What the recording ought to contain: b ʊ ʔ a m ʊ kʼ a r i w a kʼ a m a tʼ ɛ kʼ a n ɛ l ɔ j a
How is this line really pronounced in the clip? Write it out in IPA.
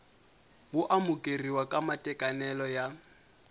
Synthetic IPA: b ʊ ʔ a m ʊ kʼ e r i w a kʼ a m a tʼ ɛ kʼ a n ɛ l ɔ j a